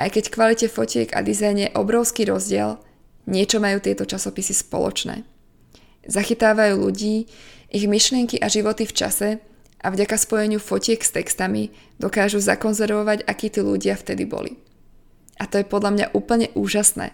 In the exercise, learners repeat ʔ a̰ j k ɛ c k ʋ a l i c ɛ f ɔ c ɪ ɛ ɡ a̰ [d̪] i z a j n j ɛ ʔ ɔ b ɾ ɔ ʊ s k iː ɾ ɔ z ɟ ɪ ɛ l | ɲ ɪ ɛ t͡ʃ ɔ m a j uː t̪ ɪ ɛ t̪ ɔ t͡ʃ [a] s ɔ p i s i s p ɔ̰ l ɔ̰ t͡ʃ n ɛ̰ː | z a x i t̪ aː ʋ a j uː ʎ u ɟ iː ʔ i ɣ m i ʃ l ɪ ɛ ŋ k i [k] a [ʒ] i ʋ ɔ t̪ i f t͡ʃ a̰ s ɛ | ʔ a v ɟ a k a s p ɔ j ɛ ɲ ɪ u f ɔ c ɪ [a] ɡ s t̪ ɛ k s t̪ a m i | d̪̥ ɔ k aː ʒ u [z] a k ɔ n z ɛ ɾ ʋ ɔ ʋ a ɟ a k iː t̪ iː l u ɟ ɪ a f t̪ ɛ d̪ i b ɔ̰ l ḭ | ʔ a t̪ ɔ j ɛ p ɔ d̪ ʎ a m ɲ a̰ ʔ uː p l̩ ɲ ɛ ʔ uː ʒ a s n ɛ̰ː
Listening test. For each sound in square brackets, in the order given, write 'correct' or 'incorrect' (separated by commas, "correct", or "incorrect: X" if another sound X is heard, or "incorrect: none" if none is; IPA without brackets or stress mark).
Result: correct, correct, incorrect: ʔ, correct, incorrect: ɛ, correct